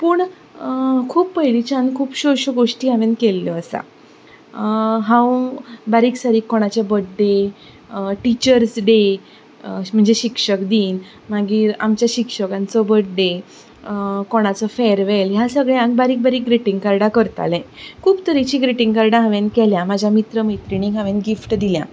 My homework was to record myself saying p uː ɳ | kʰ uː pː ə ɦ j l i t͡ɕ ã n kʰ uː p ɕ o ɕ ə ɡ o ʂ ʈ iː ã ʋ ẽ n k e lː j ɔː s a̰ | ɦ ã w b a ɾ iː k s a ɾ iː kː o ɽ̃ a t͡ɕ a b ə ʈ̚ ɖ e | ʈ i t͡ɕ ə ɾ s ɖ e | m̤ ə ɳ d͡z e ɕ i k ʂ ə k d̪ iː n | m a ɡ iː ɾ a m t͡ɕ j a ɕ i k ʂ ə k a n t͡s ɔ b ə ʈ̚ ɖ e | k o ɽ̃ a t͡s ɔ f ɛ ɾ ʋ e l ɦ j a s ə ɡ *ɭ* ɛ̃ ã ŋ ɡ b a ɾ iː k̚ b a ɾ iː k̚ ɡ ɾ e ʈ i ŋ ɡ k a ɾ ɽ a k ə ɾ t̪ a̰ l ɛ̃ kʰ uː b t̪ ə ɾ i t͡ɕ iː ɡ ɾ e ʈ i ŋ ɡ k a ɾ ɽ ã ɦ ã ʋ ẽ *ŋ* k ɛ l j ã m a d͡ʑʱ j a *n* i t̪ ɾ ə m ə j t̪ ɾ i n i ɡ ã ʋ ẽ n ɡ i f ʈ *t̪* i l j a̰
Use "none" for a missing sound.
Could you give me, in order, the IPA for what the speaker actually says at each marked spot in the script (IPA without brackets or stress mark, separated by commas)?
ɭ, n, m, d̪